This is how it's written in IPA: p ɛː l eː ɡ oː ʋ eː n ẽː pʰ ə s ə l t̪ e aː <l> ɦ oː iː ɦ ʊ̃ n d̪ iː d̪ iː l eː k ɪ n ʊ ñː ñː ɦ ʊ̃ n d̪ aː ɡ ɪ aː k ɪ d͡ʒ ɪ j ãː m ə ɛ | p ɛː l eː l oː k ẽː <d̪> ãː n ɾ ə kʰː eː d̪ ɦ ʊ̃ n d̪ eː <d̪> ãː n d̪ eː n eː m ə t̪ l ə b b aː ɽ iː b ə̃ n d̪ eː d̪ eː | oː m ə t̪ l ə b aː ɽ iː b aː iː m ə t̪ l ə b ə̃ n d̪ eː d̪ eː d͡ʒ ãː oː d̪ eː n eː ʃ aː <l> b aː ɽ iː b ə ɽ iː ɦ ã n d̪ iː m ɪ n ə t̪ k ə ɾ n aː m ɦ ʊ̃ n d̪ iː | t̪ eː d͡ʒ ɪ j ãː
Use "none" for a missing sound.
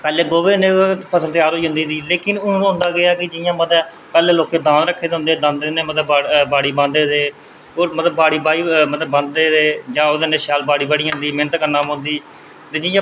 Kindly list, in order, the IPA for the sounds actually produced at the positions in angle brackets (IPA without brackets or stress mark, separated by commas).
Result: ɾ, d̪, d̪, l